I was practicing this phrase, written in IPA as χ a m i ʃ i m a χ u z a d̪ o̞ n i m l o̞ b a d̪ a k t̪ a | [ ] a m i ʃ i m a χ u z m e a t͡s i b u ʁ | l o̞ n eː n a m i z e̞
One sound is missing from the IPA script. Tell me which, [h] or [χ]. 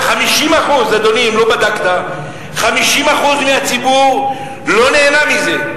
χ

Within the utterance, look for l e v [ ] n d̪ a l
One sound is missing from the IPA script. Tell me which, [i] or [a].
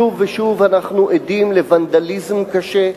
a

